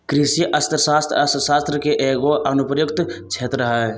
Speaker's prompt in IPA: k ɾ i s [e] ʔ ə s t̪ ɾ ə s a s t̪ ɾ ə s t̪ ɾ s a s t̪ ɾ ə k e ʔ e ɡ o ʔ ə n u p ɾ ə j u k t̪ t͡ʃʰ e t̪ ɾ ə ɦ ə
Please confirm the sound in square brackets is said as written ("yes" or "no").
no